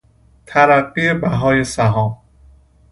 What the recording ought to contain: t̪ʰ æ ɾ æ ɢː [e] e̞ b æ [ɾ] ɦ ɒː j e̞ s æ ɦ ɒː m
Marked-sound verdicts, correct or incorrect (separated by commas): incorrect, incorrect